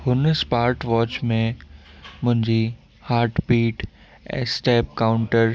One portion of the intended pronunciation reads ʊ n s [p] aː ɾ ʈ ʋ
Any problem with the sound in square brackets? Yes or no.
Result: no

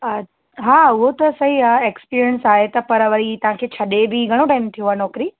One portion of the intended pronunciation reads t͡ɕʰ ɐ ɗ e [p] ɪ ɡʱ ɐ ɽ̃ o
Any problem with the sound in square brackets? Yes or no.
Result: yes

